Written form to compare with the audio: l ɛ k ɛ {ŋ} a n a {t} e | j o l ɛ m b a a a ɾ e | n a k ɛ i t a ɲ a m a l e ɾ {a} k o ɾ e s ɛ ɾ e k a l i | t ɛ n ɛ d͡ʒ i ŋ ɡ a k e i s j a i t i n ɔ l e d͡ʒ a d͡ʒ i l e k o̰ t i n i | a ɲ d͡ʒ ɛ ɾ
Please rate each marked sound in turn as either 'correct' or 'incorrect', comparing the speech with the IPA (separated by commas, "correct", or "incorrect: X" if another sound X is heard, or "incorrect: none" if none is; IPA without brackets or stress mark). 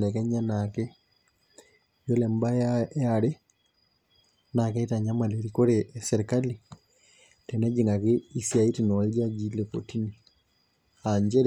incorrect: ɲ, incorrect: k, incorrect: i